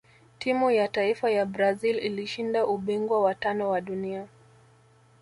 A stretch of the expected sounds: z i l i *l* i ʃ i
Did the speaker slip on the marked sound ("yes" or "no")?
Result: no